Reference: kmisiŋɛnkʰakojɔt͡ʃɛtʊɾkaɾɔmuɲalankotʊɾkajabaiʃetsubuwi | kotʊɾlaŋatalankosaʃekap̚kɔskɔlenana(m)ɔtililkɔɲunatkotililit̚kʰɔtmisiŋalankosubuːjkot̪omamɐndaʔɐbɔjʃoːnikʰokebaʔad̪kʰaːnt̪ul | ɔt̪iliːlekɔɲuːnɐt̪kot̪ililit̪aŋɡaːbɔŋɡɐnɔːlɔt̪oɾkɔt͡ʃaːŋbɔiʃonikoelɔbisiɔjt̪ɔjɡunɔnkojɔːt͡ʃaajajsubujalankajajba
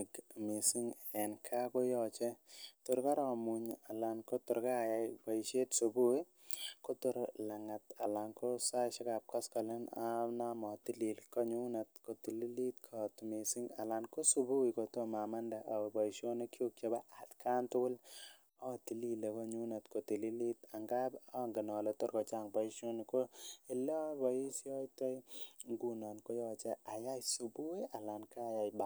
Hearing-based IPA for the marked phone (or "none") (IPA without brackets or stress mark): m